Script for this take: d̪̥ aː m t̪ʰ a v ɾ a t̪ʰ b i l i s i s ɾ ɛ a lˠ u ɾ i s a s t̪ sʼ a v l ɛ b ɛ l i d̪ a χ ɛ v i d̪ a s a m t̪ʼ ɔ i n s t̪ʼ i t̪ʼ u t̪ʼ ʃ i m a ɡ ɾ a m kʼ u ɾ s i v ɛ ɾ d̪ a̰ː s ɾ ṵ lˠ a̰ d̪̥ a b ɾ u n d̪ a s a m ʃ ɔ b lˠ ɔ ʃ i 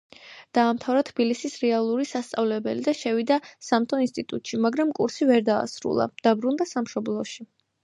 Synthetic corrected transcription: d̪̥ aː m t̪ʰ a v ɾ a t̪ʰ b i l i s i s ɾ ɛ a lˠ u ɾ i s a s t̪ sʼ a v l ɛ b ɛ l i d̪ a ʃ ɛ v i d̪ a s a m t̪ʼ ɔ i n s t̪ʼ i t̪ʼ u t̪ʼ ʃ i m a ɡ ɾ a m kʼ u ɾ s i v ɛ ɾ d̪ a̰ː s ɾ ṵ lˠ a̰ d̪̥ a b ɾ u n d̪ a s a m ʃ ɔ b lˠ ɔ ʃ i